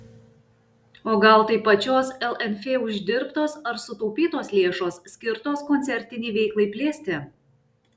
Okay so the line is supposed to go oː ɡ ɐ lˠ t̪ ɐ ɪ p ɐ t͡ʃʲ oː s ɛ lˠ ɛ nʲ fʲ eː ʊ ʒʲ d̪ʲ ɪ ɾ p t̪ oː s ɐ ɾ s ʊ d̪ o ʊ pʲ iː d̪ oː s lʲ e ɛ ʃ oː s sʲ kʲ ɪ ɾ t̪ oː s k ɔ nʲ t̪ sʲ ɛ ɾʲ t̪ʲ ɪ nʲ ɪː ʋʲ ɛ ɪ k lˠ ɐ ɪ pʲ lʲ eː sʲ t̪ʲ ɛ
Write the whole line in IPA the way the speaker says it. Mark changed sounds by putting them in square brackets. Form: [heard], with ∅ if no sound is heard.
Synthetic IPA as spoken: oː ɡ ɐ lˠ t̪ ɐ ɪ p ɐ t͡ʃʲ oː s ɛ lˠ ɛ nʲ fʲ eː ʊ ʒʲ d̪ʲ ɪ ɾ p t̪ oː s ɐ ɾ s ʊ [t̪] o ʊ pʲ iː [t̪] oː s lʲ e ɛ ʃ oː s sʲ kʲ ɪ ɾ t̪ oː s k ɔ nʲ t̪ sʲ ɛ ɾʲ t̪ʲ ɪ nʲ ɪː ʋʲ ɛ ɪ k lˠ ɐ ɪ pʲ lʲ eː sʲ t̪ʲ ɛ